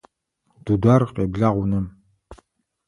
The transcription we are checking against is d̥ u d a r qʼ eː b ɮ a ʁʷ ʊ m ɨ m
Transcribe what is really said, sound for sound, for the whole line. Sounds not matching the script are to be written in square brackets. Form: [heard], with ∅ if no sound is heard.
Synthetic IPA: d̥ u d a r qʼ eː b ɮ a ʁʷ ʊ [n] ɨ m